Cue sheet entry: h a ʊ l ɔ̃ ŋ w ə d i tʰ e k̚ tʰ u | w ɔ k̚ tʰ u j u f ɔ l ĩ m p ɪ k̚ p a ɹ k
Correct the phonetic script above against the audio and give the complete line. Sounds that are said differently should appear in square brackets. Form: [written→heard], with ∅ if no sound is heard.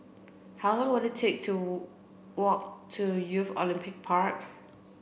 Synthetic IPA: h a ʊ l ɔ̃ ŋ w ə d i tʰ e k̚ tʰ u | w ɔ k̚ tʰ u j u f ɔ l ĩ m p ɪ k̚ [p→pʰ] a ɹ k